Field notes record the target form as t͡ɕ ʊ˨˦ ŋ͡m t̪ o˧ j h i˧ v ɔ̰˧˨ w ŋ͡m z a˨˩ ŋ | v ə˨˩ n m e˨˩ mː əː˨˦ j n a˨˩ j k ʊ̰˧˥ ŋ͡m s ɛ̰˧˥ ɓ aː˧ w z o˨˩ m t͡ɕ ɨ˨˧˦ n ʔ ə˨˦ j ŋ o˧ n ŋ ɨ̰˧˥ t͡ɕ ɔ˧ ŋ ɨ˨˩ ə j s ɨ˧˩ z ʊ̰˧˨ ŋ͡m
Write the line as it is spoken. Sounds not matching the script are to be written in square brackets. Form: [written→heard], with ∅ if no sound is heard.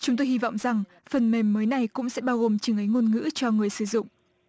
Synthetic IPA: t͡ɕ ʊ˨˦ ŋ͡m t̪ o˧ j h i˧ v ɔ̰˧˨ w ŋ͡m z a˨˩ ŋ | [v→f] ə˨˩ n m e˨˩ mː əː˨˦ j n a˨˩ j k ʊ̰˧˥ ŋ͡m s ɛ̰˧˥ ɓ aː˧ w [z→ɣ] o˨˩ m t͡ɕ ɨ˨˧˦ [n→ŋ] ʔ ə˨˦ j ŋ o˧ n ŋ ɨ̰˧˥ t͡ɕ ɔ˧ ŋ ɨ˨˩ ə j s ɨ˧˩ z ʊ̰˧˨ ŋ͡m